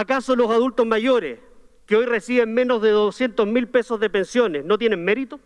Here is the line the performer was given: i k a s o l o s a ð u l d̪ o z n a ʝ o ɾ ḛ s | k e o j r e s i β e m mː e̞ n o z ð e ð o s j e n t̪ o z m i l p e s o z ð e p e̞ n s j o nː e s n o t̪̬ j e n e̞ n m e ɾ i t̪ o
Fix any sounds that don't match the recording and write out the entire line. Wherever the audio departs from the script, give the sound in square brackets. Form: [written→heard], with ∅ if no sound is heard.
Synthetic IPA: [i→a] k a s o l o s a ð u l [d̪→t̪] o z [n→m] a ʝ o ɾ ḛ s | k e o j r e s i β e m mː e̞ n o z ð e ð o s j e n t̪ o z m i l p e s o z ð e p e̞ n s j o [nː→n] e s n o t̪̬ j e n e̞ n m e ɾ i t̪ o